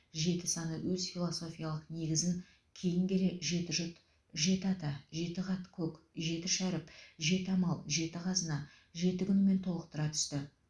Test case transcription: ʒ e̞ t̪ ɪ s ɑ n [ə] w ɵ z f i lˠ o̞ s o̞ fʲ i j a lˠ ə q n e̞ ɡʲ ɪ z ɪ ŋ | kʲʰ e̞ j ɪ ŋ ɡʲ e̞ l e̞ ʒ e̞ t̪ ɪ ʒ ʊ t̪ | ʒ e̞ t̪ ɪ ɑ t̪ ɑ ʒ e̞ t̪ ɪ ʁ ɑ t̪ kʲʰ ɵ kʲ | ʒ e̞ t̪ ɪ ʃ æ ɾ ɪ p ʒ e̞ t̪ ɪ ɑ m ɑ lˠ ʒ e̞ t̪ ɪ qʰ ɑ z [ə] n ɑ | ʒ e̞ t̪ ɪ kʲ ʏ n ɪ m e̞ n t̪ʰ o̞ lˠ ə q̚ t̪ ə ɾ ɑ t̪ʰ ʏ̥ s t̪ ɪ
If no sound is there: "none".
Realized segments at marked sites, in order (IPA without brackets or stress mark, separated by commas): ə, ə